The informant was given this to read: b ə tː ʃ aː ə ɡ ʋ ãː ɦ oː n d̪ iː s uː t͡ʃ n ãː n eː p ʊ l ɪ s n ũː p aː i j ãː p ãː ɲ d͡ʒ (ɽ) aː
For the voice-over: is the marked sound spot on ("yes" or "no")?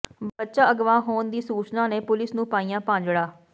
yes